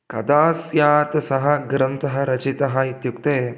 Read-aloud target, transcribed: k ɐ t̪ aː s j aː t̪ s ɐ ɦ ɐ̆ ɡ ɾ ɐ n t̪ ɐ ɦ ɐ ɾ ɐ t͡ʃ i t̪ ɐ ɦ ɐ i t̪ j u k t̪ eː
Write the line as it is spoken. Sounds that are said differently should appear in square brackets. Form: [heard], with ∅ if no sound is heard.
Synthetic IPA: k ɐ [d̪] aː s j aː t̪ s ɐ ɦ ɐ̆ ɡ ɾ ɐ n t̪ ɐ ɦ ɐ ɾ ɐ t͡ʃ i t̪ ɐ ɦ ɐ i t̪ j u k t̪ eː